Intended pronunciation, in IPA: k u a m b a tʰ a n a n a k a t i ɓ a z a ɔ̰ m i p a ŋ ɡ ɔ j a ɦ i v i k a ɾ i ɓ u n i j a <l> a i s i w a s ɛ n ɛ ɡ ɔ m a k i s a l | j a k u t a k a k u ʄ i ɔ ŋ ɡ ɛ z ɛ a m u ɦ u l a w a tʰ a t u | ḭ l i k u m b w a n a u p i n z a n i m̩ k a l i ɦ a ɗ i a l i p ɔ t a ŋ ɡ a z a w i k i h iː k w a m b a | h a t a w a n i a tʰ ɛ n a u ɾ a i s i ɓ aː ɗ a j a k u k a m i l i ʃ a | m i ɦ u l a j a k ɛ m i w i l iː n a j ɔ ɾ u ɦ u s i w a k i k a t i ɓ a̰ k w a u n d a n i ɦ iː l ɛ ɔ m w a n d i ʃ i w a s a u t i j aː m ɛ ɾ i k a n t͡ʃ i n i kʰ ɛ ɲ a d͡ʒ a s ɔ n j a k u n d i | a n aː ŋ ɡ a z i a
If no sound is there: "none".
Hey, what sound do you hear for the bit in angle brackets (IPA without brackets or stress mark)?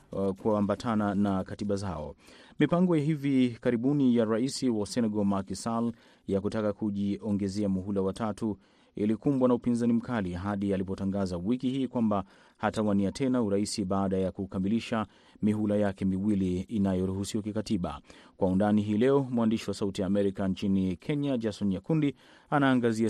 ɾ